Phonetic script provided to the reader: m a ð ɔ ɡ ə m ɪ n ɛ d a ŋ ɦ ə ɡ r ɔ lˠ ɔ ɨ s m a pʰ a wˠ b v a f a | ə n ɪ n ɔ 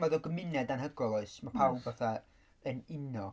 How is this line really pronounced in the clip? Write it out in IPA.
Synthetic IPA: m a ð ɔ ɡ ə m ɪ n ɛ d a n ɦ ə ɡ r ɔ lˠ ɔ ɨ s m a pʰ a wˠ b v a θ a | ə n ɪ n ɔ